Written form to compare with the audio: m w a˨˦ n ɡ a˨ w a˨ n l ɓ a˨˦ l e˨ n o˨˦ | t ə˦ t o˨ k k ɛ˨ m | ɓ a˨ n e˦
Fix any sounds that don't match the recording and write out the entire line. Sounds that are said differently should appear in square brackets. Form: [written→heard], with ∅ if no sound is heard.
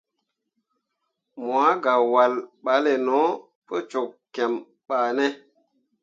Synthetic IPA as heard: m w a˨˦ [n→∅] ɡ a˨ w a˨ [n→∅] l ɓ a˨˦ l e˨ n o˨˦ | [t→p] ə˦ [t→t͡ʃ] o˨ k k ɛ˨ m | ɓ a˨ n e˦